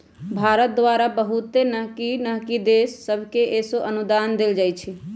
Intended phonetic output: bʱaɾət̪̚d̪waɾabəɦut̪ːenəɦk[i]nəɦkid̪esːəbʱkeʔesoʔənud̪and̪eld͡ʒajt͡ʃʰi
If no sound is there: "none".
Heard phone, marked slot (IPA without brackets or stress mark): i